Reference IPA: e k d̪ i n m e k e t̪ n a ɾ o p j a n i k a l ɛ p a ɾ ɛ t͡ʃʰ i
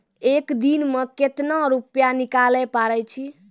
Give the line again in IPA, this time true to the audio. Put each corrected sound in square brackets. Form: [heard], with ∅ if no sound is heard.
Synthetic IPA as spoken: e k d̪ i n m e k e t̪ n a ɾ [u] p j a n i k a l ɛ p a ɾ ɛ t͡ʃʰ i